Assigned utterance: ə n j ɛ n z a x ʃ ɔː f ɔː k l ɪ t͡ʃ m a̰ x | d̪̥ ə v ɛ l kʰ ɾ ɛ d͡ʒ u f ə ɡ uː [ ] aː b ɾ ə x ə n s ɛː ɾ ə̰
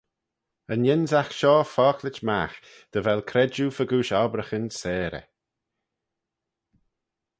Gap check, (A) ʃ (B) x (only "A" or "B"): A